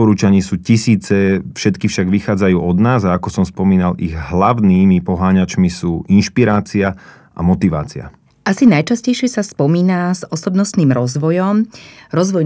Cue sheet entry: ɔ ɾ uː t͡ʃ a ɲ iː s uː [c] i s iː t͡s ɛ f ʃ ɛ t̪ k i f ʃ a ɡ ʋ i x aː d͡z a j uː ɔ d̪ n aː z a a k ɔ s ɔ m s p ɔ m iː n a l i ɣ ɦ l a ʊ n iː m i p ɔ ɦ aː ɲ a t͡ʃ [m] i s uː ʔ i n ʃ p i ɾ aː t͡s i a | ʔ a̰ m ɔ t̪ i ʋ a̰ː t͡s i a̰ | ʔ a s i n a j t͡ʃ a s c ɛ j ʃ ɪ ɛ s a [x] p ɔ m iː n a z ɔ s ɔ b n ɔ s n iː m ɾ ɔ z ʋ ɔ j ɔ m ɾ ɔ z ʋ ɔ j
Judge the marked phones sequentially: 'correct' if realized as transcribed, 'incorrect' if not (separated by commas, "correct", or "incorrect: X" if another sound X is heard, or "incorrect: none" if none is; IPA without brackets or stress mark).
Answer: correct, correct, incorrect: s